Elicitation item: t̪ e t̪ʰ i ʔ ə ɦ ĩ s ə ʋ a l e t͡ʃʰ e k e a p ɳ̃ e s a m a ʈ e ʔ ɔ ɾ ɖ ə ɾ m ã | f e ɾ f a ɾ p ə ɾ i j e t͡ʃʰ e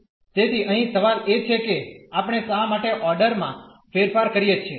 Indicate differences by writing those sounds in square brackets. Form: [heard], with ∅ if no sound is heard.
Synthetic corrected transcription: t̪ e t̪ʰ i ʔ ə ɦ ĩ s ə ʋ a l e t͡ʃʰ e k e a p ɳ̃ e s a m a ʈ e ʔ ɔ ɾ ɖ ə ɾ m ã | f e ɾ f a ɾ [k] ə ɾ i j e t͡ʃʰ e